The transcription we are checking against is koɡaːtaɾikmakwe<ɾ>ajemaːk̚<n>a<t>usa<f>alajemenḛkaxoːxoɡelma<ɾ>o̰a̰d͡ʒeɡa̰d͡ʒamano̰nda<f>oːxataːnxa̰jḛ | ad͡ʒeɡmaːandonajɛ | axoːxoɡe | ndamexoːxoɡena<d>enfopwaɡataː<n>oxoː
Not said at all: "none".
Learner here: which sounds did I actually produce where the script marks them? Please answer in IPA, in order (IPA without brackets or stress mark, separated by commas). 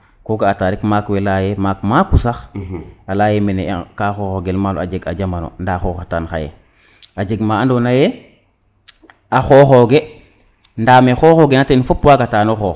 l, m, k, x, l, x, t, n